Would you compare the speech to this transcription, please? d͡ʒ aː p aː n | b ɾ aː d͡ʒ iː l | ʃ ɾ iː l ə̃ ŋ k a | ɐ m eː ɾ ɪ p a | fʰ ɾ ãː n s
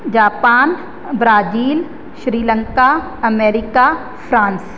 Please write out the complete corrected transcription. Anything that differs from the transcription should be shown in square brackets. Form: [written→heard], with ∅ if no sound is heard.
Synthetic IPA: d͡ʒ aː p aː n | b ɾ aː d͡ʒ iː l | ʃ ɾ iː l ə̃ ŋ k a | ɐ m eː ɾ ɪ [p→k] a | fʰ ɾ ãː n s